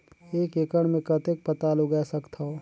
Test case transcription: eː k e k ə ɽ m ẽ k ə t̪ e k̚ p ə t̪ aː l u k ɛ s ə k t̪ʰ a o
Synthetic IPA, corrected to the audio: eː k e k ə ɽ m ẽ k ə t̪ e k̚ p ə t̪ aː l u ɡ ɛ s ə k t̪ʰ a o